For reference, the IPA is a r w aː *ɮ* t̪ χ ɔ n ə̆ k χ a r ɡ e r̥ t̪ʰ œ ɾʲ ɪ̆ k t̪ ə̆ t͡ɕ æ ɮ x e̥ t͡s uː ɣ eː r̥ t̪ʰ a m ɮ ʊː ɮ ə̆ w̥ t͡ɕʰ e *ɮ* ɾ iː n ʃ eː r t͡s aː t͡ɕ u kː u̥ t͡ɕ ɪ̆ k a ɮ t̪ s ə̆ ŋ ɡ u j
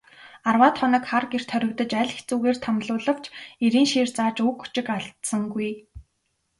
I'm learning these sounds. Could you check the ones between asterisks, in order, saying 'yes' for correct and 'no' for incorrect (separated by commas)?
no, no